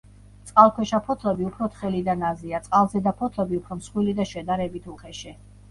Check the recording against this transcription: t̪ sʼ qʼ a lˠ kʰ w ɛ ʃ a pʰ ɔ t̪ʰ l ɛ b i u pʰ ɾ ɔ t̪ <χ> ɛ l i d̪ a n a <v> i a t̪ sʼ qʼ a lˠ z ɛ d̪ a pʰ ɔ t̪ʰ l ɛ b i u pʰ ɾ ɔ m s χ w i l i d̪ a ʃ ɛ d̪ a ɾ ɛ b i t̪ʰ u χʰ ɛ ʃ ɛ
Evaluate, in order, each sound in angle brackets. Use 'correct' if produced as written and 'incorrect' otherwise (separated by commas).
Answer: correct, incorrect